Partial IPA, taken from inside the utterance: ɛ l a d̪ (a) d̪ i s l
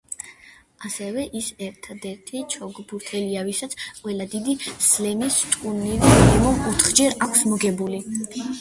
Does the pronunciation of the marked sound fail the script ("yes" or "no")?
yes